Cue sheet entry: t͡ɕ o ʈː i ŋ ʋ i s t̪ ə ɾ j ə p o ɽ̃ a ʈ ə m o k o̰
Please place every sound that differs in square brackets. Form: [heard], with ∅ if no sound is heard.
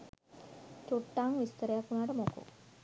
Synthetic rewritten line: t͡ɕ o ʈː [a] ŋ ʋ i s t̪ ə ɾ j [a] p [u] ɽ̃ a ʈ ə m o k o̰